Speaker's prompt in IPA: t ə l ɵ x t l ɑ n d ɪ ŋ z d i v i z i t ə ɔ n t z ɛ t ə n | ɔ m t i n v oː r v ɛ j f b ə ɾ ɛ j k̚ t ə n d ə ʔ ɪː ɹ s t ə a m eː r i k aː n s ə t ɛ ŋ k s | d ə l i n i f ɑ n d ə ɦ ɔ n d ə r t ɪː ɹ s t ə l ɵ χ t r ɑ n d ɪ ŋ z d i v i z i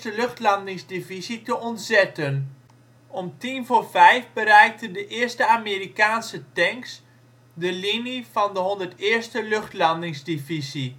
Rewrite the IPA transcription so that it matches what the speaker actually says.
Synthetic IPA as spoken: t ə l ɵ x t l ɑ n d ɪ ŋ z d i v i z i t ə ɔ n t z ɛ t ə n | ɔ m t i n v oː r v ɛ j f b ə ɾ ɛ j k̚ t ə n d ə ʔ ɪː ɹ s t ə a m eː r i k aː n s ə t ɛ ŋ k s | d ə l i n i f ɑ n d ə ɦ ɔ n d ə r t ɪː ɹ s t ə l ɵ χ t l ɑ n d ɪ ŋ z d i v i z i